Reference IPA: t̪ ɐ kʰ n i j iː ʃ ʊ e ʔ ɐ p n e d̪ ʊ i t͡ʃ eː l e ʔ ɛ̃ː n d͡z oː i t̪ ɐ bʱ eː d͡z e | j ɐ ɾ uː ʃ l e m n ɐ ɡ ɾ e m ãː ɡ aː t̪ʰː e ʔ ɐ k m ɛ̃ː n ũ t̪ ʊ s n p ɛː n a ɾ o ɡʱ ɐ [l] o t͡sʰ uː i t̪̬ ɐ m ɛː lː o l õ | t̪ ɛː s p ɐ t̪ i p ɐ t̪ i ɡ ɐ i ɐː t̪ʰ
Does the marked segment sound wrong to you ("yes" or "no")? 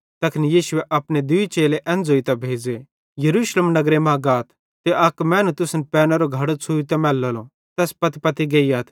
yes